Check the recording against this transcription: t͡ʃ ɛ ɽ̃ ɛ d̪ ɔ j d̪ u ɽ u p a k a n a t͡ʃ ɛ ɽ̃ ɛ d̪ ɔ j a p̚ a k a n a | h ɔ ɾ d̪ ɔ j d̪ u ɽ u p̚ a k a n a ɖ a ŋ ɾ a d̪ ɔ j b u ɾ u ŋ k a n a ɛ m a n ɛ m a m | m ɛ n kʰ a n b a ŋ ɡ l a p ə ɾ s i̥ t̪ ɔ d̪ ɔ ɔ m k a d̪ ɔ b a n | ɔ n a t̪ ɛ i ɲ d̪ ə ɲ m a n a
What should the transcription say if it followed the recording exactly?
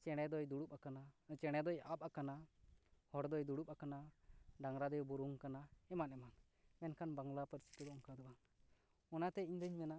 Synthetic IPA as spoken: t͡ʃ ɛ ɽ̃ ɛ d̪ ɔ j d̪ u ɽ u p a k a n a t͡ʃ ɛ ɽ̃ ɛ d̪ ɔ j a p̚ a k a n a | h ɔ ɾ d̪ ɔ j d̪ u ɽ u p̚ a k a n a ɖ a ŋ ɾ a d̪ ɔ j b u ɾ u ŋ k a n a ɛ m a n ɛ m a n | m ɛ n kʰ a n b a ŋ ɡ l a p ə ɾ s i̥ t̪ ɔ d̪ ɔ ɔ m k a d̪ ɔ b a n | ɔ n a t̪ ɛ i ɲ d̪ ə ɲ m ɛ n a